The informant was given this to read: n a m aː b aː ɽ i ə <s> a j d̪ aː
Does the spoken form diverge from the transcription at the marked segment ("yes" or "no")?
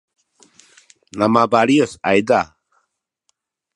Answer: no